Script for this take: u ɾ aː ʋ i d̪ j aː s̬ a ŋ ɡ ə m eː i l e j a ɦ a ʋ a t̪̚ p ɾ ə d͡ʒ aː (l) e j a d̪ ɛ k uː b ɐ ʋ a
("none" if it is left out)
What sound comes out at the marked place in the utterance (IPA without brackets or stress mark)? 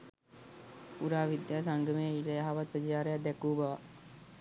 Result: ɾ